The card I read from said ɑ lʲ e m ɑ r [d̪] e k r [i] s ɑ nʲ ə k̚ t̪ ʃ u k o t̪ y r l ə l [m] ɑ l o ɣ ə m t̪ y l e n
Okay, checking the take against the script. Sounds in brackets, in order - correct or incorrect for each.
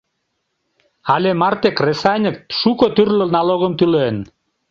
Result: incorrect, incorrect, incorrect

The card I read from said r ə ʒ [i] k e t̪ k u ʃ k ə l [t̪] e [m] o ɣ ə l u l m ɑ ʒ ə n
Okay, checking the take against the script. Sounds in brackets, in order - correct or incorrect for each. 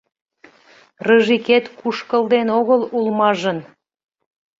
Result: correct, incorrect, incorrect

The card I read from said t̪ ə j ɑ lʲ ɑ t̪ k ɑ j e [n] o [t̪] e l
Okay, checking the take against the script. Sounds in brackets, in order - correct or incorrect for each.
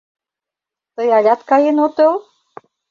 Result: correct, correct

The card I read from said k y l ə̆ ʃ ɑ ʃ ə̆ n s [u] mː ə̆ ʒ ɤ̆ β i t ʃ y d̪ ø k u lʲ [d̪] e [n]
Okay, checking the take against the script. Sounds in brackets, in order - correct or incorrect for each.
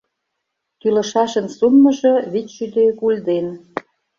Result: correct, correct, correct

